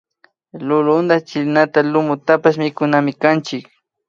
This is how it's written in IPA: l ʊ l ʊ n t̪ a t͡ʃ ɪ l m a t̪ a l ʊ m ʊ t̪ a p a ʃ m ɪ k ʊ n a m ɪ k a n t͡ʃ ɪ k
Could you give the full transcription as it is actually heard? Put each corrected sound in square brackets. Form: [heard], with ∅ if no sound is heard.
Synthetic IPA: l ʊ l ʊ n [d̪] a t͡ʃ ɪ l [n] a t̪ a l ʊ m ʊ t̪ a p a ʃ m ɪ k ʊ n a m ɪ k a n t͡ʃ ɪ k